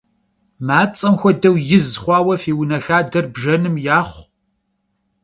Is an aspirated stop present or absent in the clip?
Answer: absent